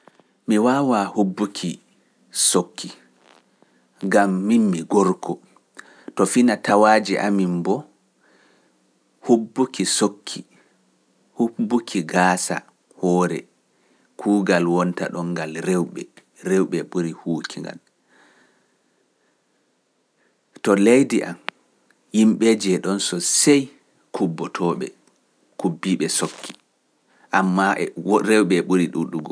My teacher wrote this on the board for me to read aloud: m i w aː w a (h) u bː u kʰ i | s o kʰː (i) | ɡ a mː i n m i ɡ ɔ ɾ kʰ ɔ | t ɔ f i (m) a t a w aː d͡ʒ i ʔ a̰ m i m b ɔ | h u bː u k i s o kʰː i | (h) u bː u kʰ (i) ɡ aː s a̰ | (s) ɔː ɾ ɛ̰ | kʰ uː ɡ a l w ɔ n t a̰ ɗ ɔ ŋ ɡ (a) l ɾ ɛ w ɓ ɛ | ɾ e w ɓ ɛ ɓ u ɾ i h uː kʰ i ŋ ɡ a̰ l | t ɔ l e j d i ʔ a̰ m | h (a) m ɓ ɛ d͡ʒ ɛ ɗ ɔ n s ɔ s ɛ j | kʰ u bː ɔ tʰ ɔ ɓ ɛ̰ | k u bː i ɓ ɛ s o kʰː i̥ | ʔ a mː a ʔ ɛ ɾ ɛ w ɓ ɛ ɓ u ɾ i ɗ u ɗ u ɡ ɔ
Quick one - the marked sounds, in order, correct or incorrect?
correct, correct, incorrect, correct, correct, incorrect, correct, incorrect

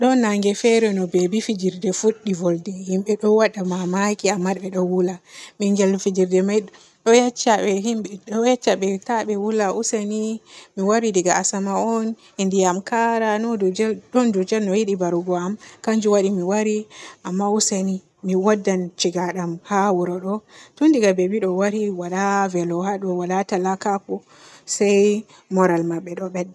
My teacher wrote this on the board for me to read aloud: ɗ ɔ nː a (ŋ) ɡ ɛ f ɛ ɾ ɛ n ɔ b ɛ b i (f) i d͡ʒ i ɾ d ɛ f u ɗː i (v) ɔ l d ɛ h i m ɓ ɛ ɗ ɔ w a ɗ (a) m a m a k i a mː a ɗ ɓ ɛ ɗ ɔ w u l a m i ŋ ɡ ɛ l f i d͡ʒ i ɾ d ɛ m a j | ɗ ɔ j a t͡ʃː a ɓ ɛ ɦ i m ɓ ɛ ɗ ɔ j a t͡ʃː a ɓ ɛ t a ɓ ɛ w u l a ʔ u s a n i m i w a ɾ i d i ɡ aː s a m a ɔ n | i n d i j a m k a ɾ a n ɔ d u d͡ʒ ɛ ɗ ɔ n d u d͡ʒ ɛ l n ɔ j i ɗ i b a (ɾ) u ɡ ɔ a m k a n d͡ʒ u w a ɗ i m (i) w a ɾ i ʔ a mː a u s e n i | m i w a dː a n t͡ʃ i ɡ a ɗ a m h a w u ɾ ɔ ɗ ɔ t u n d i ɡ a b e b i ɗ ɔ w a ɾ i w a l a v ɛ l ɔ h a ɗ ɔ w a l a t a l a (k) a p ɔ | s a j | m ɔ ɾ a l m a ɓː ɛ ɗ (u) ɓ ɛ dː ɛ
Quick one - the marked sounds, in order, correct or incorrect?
correct, correct, correct, correct, correct, correct, correct, incorrect

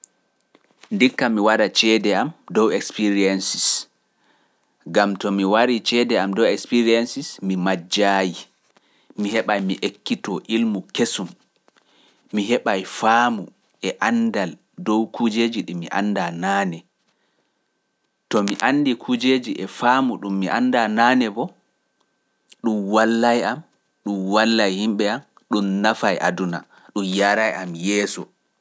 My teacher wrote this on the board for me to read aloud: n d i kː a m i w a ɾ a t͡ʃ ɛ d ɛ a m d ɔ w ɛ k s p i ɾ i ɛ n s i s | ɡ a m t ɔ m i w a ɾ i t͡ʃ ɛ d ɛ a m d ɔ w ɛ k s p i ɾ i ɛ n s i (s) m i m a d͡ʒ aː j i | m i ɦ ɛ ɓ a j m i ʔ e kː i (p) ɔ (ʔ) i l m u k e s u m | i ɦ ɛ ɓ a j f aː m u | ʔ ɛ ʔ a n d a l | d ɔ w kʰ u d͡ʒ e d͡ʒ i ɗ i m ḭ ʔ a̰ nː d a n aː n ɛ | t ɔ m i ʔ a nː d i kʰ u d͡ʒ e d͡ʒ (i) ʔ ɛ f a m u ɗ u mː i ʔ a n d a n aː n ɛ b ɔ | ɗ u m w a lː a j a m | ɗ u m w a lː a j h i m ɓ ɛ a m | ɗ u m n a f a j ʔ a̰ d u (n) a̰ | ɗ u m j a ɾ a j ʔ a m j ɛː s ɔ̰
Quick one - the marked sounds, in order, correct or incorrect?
correct, incorrect, correct, correct, correct

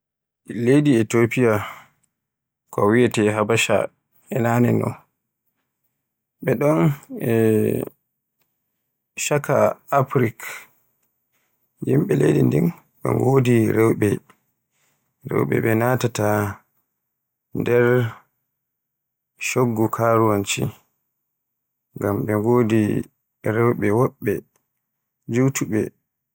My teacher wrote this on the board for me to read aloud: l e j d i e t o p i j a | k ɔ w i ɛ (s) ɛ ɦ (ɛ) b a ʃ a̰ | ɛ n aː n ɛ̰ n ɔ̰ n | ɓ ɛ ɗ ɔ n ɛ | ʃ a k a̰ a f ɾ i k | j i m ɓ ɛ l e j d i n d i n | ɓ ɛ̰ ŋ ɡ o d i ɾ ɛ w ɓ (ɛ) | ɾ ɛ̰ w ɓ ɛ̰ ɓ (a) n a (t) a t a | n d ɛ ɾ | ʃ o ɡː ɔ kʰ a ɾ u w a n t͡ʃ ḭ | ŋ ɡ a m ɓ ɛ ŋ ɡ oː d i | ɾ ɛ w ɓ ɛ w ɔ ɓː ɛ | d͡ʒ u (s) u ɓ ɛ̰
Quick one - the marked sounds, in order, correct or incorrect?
incorrect, incorrect, correct, incorrect, correct, incorrect

